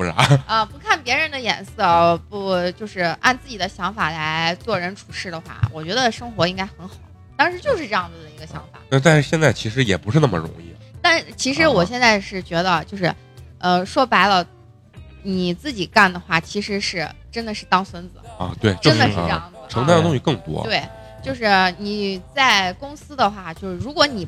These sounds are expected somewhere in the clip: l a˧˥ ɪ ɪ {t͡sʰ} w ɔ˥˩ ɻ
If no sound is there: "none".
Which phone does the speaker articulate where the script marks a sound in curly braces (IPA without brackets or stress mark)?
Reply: t͡s